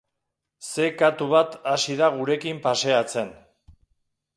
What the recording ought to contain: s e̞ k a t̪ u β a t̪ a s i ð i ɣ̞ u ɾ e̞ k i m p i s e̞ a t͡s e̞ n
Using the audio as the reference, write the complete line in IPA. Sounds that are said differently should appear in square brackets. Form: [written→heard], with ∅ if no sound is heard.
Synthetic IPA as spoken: s e̞ k a t̪ u β a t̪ a s i ð [i→a] ɣ̞ u ɾ e̞ k i m p [i→a] s e̞ a t͡s e̞ n